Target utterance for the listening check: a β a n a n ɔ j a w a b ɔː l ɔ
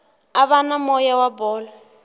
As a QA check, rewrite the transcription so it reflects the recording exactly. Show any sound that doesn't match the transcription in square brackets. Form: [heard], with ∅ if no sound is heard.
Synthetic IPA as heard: a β a n a [m] ɔ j a w a b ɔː l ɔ